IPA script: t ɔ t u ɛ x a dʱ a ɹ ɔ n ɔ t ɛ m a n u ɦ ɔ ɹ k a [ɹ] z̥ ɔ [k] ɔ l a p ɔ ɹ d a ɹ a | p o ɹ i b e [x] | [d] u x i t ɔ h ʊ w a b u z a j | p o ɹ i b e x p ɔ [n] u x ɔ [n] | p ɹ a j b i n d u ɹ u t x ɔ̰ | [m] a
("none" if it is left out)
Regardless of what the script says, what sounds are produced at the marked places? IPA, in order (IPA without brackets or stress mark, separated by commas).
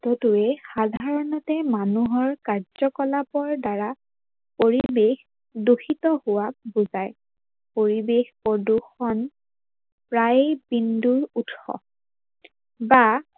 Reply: ɹ, k, x, d, d, n, b